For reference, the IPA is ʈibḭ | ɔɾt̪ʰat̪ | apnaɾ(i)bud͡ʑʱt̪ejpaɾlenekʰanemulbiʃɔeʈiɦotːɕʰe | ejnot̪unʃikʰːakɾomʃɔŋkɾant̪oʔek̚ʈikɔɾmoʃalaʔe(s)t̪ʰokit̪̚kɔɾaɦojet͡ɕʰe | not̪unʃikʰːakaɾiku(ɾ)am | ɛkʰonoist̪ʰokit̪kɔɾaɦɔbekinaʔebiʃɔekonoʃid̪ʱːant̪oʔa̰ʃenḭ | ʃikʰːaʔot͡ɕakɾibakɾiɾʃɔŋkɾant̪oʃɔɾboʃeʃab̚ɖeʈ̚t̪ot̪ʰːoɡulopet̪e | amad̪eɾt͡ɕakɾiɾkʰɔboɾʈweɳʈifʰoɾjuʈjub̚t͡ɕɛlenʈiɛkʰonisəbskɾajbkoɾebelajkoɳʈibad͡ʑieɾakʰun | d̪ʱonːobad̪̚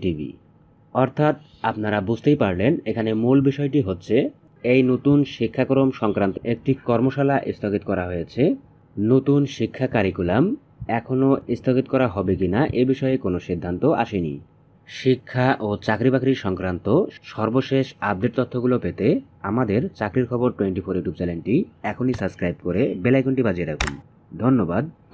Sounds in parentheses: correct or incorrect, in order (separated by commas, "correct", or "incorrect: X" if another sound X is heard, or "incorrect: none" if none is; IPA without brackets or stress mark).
incorrect: a, correct, incorrect: l